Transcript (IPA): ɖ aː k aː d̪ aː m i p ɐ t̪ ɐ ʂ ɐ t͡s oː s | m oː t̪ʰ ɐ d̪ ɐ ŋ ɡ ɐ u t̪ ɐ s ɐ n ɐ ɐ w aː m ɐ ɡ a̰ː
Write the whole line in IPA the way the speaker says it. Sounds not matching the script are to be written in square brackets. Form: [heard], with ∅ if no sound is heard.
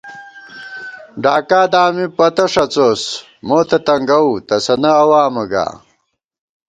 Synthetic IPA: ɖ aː k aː d̪ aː m i p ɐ t̪ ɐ ʂ ɐ t͡s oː s | m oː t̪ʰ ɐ [t̪] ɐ ŋ ɡ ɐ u t̪ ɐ s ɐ n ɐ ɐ w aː m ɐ ɡ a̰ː